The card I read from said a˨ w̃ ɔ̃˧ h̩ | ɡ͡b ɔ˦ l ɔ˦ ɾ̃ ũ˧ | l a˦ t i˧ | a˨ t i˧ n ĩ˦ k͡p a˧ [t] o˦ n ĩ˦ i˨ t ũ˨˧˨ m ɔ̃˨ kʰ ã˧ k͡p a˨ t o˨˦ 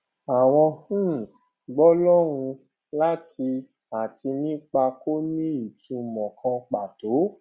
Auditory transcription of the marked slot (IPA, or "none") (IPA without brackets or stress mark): k